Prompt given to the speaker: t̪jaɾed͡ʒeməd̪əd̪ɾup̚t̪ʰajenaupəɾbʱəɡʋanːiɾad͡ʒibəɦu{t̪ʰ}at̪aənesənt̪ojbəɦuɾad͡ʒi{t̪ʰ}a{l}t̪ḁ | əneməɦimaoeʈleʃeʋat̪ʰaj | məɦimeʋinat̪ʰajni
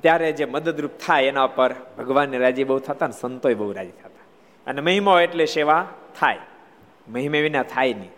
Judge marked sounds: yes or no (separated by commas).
yes, yes, no